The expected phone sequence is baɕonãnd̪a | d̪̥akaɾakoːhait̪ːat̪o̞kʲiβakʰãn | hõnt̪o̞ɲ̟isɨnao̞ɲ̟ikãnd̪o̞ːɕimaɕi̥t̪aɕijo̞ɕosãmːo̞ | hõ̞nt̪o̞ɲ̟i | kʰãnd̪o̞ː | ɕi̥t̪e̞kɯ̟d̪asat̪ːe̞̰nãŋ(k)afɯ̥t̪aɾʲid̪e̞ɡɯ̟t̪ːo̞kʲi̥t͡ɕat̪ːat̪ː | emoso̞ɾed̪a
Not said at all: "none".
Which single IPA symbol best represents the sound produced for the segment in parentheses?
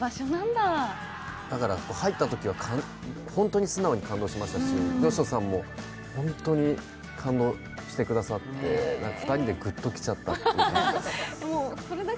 k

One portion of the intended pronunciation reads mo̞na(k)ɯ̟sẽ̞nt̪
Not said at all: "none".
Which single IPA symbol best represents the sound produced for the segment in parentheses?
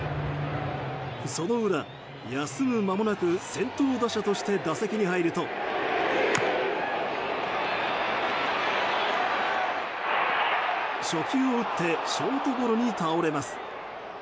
k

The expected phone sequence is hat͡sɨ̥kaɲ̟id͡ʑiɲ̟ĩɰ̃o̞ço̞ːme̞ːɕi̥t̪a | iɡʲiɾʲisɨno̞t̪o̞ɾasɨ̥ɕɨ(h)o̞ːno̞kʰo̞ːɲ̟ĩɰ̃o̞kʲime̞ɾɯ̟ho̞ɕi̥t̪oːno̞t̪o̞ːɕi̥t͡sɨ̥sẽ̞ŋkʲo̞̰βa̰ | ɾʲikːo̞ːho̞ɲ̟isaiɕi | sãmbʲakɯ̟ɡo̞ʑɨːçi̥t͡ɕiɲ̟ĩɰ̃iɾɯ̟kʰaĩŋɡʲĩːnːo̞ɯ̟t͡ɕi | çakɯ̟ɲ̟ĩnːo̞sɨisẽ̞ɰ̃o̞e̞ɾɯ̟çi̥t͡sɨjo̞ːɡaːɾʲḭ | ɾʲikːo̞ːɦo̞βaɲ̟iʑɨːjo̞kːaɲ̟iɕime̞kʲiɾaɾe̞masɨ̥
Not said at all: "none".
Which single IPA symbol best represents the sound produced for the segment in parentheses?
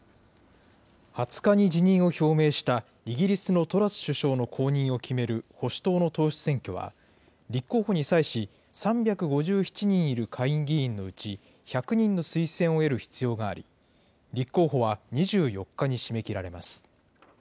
ɕ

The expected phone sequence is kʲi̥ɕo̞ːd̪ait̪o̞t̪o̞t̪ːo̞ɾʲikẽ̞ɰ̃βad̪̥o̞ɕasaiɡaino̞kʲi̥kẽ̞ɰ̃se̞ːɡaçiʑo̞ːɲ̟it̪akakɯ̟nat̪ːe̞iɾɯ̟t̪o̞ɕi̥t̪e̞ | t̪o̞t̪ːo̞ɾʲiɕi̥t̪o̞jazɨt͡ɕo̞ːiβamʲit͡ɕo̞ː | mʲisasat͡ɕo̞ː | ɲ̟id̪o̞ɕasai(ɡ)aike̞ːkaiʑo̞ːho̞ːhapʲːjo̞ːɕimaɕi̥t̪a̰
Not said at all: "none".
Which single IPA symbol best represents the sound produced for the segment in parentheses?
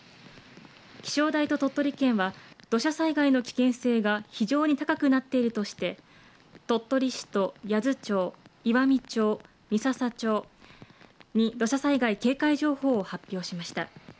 ɡ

